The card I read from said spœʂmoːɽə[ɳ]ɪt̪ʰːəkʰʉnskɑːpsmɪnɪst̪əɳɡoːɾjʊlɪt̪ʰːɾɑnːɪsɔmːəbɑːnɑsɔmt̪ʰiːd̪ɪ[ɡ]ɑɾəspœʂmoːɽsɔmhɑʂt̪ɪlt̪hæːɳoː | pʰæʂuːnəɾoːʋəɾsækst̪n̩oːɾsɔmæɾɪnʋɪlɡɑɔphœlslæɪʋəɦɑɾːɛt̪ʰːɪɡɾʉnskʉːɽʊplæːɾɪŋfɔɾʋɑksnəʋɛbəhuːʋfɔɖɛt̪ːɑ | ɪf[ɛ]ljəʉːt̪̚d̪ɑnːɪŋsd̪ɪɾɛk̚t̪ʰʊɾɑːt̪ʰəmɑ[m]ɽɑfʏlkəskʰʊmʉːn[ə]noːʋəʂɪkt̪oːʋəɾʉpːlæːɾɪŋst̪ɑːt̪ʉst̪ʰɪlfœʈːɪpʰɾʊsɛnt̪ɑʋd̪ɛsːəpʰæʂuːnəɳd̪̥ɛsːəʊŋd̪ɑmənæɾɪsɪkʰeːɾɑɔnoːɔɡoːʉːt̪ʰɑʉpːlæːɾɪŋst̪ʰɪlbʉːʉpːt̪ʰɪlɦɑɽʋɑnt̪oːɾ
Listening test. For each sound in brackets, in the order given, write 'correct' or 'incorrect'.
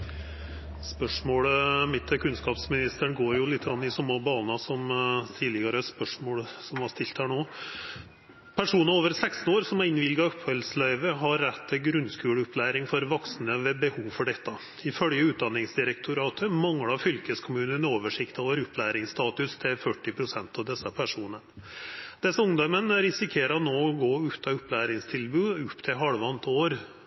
incorrect: m, correct, incorrect: œ, incorrect: ŋ, correct

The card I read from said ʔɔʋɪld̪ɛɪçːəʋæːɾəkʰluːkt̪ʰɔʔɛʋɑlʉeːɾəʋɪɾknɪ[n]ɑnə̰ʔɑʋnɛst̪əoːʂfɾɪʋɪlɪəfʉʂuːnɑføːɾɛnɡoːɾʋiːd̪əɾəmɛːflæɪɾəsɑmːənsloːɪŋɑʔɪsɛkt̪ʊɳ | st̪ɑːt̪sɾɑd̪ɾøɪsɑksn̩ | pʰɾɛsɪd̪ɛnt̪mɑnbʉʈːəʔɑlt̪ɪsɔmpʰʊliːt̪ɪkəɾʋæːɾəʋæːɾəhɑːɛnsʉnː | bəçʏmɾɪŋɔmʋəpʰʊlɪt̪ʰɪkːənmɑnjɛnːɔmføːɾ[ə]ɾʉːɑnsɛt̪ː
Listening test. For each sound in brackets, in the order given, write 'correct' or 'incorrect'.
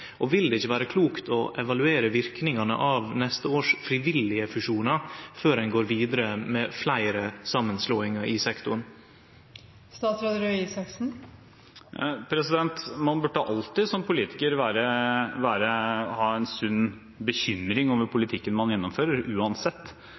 incorrect: ŋ, correct

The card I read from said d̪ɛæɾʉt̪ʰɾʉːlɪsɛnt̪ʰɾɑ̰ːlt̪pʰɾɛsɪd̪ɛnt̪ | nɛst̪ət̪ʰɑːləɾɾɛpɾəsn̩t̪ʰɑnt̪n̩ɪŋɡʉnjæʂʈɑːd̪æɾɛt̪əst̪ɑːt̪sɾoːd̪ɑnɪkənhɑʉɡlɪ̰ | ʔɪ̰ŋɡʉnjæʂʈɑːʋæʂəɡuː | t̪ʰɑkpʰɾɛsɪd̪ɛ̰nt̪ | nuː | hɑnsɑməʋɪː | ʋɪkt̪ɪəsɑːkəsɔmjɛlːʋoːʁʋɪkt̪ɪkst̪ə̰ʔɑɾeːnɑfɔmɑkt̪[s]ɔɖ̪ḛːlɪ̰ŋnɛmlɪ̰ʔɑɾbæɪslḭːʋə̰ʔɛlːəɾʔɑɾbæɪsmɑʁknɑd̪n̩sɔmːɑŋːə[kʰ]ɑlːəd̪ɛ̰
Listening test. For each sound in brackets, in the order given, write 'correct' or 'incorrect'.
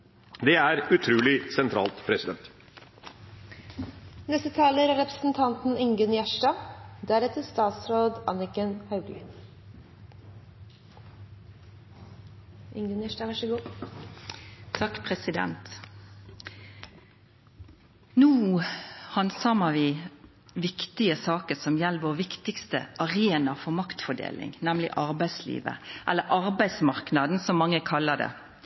incorrect: f, correct

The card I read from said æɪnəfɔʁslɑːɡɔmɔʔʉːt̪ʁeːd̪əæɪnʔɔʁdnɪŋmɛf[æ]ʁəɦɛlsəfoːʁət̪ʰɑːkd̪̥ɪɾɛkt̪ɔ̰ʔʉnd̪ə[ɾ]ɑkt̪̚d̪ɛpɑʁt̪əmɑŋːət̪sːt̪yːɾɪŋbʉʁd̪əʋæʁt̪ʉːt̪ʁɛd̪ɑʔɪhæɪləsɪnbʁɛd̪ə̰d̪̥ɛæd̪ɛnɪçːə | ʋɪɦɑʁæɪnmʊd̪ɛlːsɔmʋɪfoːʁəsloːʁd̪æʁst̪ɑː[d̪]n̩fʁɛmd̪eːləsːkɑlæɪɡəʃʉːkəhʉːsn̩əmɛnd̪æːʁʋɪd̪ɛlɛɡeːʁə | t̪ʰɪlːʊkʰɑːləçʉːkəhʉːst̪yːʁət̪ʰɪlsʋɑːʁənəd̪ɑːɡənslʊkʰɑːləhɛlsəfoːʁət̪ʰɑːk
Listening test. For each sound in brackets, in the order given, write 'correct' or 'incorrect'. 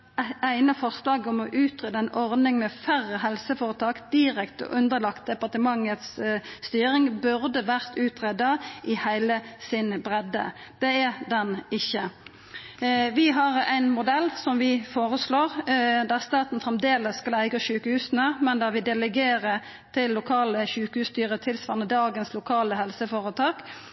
correct, incorrect: l, incorrect: t̪

